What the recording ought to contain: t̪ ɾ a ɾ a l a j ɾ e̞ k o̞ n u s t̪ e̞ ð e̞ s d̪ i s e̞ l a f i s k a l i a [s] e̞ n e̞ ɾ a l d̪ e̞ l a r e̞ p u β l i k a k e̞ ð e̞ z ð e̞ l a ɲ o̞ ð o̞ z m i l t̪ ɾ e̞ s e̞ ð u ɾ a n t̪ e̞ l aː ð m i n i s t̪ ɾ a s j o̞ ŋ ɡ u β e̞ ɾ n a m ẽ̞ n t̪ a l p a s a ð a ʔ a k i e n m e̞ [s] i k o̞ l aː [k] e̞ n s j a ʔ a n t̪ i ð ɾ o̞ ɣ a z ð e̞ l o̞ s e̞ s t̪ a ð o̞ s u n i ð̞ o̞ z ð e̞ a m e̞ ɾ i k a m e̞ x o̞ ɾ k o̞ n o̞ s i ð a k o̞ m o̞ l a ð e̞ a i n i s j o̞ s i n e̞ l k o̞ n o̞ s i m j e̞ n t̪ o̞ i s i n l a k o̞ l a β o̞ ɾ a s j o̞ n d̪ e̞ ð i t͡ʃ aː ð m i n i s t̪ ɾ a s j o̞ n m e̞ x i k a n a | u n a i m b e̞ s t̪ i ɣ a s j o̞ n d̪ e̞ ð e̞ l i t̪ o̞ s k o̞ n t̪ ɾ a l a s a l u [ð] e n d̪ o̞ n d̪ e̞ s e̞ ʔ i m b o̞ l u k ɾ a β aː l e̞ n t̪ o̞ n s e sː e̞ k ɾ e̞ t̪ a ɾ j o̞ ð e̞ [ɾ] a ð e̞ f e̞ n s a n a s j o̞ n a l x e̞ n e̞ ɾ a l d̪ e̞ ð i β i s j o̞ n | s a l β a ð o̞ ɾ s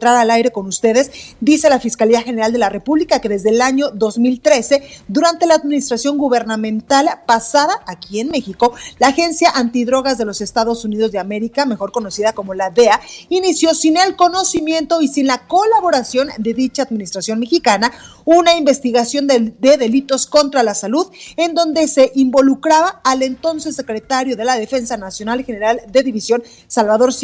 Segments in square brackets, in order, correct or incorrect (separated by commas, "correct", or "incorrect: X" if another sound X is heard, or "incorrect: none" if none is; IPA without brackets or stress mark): incorrect: x, incorrect: x, incorrect: x, correct, incorrect: l